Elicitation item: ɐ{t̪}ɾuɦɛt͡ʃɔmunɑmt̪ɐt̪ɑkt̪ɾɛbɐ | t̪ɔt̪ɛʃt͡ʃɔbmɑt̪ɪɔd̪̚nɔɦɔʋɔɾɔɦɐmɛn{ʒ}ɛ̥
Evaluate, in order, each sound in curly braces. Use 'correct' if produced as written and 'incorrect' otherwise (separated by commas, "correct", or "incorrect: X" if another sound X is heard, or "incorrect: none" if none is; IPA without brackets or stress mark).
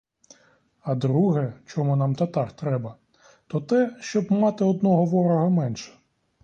incorrect: d̪, incorrect: ʃ